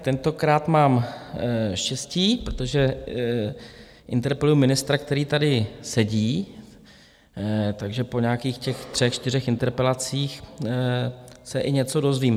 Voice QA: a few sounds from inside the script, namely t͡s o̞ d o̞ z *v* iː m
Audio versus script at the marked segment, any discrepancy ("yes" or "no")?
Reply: no